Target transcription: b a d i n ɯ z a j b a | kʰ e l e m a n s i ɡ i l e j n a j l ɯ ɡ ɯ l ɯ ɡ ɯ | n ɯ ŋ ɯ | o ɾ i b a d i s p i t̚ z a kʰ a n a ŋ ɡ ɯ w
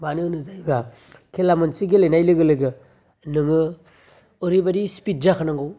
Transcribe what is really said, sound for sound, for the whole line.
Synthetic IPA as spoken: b a n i n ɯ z a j b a | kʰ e l a m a n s i ɡ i l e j n a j l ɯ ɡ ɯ l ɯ ɡ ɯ | n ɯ ŋ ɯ | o ɾ i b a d i s p i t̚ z a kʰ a n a ŋ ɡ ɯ w